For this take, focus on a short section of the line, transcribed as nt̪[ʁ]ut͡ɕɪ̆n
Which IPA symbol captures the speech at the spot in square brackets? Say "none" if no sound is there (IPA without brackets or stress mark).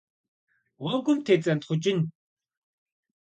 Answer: χ